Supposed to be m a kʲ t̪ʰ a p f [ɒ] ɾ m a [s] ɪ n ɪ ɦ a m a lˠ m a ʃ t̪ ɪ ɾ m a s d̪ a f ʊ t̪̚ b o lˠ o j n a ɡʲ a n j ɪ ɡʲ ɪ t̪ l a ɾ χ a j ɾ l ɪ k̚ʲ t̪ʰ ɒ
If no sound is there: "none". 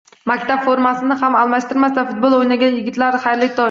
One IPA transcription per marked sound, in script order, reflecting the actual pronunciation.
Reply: o, s

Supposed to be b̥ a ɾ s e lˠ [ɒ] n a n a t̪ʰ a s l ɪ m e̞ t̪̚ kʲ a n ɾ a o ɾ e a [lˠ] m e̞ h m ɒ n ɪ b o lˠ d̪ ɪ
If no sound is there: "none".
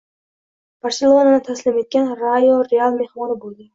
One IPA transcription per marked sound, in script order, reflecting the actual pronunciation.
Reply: o, lˠ

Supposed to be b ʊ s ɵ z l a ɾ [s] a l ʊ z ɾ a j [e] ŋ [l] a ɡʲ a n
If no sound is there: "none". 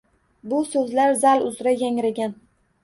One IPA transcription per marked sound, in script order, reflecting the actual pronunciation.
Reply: z, a, ɾ

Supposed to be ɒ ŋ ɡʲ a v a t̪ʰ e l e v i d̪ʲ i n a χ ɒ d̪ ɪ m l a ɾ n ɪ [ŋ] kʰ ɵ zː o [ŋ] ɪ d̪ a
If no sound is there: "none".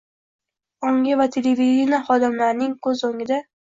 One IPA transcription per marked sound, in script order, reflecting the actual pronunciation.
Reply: ŋ, ŋ

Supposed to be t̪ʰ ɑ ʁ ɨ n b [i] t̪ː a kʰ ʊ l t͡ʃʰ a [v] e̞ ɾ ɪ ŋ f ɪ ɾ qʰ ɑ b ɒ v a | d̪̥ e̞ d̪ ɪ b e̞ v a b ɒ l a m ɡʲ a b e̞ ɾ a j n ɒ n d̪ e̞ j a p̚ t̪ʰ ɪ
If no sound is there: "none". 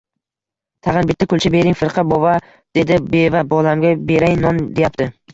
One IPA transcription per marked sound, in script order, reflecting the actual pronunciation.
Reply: ɪ, b

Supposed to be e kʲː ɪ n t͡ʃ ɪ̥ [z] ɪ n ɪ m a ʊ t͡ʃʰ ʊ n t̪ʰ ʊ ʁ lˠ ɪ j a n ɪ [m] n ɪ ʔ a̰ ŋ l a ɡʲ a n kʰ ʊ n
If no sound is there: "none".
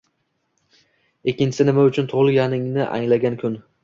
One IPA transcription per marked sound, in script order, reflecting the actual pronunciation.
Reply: s, ŋ

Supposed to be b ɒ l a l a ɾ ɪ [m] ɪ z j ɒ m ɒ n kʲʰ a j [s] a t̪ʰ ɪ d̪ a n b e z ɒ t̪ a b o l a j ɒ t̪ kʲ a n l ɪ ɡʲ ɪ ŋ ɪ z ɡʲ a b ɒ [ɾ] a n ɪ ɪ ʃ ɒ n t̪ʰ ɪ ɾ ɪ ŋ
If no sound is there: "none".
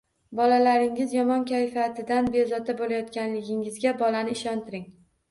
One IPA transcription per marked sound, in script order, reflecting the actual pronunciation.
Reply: ŋ, f, l

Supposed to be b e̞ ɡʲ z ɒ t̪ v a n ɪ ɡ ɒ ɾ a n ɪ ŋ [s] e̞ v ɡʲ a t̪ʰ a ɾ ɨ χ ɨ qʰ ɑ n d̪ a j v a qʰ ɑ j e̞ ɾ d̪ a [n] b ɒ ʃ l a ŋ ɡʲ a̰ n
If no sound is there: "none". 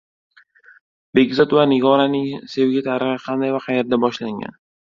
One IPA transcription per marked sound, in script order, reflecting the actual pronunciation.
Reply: s, none

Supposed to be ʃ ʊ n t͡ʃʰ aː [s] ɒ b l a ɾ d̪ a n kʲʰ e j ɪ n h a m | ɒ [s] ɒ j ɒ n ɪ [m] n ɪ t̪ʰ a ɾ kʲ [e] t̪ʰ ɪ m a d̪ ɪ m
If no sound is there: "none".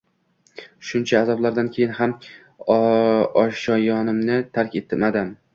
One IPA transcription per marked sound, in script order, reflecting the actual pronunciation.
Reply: z, ʃ, m, e

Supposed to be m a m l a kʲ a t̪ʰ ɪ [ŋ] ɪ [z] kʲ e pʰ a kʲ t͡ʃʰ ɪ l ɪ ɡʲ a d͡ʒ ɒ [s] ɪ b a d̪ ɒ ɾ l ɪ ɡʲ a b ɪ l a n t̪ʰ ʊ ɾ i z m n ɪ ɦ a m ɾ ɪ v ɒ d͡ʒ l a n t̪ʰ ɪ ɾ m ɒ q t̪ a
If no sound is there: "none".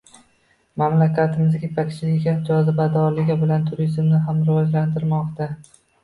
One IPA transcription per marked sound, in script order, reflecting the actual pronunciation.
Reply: m, z, z

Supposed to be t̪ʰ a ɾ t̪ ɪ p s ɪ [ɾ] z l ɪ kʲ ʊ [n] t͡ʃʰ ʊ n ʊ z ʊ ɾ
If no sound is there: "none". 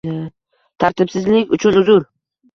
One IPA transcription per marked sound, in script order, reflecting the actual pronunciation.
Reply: none, none

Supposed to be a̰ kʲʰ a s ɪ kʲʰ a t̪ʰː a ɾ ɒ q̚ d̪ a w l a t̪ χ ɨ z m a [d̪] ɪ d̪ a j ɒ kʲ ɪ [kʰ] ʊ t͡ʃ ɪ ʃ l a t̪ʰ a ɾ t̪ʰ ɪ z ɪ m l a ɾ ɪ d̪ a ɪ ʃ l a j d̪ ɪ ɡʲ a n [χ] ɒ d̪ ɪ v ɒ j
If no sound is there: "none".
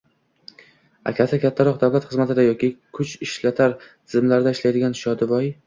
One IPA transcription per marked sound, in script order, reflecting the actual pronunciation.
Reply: t̪, kʰ, ʃ

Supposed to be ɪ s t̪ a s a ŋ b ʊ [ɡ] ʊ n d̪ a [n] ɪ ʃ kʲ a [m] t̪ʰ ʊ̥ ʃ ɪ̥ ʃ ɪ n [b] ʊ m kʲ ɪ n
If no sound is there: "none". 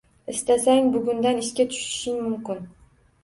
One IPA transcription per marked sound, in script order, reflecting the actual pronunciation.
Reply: ɡ, n, none, m

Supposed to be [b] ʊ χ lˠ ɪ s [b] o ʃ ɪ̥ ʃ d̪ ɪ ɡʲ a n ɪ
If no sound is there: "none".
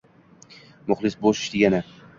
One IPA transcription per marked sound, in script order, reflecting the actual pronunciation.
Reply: m, b

